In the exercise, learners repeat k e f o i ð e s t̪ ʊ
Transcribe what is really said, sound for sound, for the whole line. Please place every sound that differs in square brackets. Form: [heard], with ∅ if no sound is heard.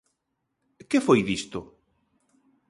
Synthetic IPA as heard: k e f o [j] ð [i] s t̪ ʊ